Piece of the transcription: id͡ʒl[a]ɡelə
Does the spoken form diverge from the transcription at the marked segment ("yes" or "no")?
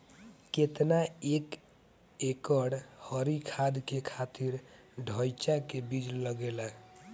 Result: yes